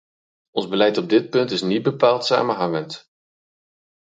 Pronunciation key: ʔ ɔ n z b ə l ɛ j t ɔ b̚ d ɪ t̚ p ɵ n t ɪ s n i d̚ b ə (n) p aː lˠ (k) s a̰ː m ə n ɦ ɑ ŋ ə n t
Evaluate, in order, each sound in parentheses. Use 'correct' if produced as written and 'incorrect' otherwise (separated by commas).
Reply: incorrect, incorrect